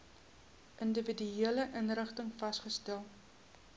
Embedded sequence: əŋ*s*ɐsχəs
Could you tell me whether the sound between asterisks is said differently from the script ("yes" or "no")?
yes